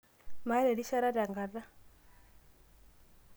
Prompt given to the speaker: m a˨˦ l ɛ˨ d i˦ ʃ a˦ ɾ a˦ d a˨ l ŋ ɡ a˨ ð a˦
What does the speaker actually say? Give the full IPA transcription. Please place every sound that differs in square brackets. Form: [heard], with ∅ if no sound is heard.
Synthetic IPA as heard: m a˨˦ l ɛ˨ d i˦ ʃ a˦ ɾ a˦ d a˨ [∅] ŋ ɡ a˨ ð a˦

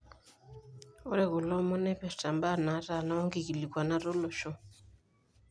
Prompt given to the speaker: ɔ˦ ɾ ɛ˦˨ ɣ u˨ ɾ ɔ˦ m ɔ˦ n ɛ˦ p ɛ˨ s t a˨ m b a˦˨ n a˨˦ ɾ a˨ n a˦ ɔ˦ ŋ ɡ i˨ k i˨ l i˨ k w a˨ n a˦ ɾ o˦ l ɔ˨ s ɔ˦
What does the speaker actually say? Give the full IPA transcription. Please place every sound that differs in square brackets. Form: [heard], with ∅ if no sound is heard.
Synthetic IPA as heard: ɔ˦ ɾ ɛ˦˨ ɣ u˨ [l] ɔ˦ m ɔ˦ n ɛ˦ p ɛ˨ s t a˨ m b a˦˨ n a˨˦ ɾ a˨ n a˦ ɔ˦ ŋ ɡ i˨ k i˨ l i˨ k w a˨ n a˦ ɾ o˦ l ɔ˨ [ʃ] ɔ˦

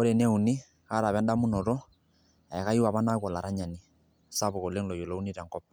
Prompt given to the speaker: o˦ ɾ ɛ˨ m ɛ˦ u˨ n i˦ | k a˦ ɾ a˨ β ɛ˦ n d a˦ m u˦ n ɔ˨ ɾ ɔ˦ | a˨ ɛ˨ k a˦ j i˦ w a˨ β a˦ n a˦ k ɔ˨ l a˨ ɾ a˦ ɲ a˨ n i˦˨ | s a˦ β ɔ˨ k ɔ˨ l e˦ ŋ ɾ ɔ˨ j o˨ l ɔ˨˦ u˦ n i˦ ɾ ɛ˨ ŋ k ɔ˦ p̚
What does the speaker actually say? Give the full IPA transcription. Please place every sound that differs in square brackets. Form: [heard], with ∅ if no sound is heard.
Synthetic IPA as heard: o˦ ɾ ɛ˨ [n] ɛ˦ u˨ n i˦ | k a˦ ɾ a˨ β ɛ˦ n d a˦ m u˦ n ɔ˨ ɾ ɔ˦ | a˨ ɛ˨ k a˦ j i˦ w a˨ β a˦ n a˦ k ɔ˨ l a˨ ɾ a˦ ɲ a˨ n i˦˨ | s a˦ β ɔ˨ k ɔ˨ l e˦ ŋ [l] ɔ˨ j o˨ l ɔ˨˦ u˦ n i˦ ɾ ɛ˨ ŋ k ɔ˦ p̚

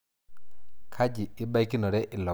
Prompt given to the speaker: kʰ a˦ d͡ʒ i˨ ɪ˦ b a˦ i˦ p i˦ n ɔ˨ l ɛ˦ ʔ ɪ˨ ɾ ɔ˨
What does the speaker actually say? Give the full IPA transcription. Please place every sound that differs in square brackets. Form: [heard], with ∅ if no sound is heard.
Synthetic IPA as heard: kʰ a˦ d͡ʒ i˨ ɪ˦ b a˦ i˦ [k] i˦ n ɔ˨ [ɾ] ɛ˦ ʔ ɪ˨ [l] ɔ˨

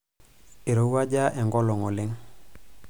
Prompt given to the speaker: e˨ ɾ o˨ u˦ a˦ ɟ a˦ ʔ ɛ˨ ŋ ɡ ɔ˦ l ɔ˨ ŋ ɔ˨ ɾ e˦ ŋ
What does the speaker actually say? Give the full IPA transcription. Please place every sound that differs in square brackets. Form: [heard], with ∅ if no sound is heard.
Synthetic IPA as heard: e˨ ɾ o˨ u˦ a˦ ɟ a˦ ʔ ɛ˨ ŋ ɡ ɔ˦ l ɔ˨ ŋ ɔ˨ [l] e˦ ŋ

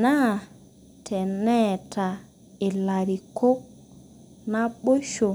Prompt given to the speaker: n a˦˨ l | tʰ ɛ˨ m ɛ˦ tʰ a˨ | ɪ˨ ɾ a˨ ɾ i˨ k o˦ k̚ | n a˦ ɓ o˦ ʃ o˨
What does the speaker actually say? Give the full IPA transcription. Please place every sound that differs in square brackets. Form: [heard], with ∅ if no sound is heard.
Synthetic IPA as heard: n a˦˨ [∅] | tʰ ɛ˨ [n] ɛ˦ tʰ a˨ | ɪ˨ [l] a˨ ɾ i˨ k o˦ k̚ | n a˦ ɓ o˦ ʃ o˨

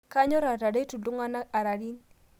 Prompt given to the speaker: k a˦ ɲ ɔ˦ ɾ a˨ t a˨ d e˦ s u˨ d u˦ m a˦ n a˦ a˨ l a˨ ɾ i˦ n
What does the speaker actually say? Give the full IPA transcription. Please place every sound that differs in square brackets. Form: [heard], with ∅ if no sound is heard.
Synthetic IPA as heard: k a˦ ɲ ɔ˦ ɾ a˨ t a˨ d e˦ [t] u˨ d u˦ [ŋ] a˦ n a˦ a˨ [ɾ] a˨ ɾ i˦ n

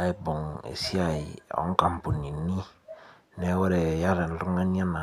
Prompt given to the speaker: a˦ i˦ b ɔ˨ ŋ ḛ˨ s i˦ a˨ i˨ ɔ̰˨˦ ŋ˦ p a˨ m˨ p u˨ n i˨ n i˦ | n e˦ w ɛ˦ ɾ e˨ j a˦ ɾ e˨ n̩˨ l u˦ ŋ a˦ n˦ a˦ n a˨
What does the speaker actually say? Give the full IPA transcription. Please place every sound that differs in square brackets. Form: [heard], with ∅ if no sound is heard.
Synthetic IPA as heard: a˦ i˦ b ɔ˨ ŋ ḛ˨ s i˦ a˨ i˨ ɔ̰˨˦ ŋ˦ [k] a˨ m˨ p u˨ n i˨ n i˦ | n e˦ w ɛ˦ ɾ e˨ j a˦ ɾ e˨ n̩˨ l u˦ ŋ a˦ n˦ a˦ n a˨

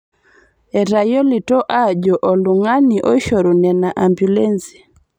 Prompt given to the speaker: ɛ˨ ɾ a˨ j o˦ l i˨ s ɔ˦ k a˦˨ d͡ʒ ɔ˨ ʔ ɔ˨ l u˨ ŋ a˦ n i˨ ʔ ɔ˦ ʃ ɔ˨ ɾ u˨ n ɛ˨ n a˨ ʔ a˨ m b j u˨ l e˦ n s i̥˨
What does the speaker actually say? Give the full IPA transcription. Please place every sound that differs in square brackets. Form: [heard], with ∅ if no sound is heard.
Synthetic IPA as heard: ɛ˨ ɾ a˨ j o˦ l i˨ [t] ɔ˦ [ʔ] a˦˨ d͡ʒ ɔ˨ ʔ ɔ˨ l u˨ ŋ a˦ n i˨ ʔ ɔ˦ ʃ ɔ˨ ɾ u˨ n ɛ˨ n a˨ ʔ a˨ m b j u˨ l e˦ n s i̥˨

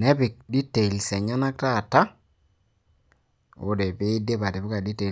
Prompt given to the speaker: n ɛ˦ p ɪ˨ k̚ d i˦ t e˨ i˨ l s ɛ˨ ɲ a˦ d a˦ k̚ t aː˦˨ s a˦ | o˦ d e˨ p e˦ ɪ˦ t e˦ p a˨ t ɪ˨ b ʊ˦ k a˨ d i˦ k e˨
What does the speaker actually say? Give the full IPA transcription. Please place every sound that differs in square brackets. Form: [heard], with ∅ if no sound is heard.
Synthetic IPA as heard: n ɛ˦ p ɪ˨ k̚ d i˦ t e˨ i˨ l s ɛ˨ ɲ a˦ [n] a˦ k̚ t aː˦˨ [t] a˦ | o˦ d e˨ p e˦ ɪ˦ [d] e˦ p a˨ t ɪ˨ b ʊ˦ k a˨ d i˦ [t] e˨

